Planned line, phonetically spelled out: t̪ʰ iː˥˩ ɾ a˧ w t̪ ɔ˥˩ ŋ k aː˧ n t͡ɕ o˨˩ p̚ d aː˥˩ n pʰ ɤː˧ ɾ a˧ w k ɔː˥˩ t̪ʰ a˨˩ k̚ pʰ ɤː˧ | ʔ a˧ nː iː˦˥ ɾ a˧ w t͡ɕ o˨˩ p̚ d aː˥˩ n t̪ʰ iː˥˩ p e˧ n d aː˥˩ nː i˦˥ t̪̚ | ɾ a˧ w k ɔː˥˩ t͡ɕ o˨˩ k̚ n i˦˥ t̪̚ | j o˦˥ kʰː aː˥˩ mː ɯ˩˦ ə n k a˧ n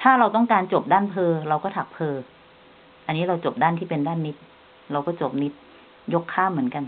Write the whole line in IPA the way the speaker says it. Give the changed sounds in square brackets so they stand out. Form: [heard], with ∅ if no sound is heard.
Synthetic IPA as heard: t̪ʰ [aː˥˩] ɾ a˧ w t̪ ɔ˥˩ ŋ k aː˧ n t͡ɕ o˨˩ p̚ d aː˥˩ n pʰ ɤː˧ ɾ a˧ w k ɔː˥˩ t̪ʰ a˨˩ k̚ pʰ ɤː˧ | ʔ a˧ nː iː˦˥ ɾ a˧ w t͡ɕ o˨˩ p̚ d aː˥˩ n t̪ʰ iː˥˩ p e˧ n d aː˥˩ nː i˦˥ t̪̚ | ɾ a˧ w k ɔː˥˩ t͡ɕ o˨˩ [p̚] n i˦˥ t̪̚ | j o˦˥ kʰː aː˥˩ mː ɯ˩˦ ə n k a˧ n